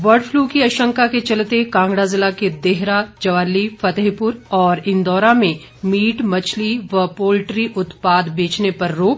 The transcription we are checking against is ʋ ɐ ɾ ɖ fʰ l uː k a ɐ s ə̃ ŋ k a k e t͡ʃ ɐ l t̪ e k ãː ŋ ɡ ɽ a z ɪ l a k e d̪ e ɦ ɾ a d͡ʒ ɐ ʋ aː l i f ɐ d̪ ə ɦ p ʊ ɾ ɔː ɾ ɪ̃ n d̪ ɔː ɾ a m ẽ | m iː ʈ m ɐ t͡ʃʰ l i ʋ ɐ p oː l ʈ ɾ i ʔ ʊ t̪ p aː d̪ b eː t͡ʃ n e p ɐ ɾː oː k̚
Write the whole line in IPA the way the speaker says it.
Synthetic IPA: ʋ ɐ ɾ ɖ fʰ l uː k i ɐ ʃ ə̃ ŋ k a k e t͡ʃ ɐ l t̪ e k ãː ŋ ɡ ɽ a z ɪ l a k e d̪ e ɦ ɾ a d͡ʒ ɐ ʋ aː l i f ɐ t̪ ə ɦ p ʊ ɾ ɔː ɾ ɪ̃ n d̪ ɔː ɾ a m ẽ | m iː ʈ m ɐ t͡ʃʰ l i ʋ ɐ p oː l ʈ ɾ i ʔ ʊ t̪ p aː d̪ b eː t͡ʃ n e p ɐ ɾː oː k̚